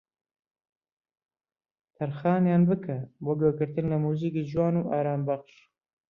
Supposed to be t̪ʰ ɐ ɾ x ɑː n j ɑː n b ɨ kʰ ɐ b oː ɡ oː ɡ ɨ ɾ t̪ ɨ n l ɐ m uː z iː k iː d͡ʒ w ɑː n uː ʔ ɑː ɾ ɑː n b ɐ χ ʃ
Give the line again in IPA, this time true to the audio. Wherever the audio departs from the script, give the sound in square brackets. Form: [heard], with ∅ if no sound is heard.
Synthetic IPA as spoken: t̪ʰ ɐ ɾ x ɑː n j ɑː n b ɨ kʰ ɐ b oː ɡ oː ɡ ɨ ɾ t̪ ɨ n l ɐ m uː z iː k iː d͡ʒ w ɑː n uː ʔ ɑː ɾ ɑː [m] b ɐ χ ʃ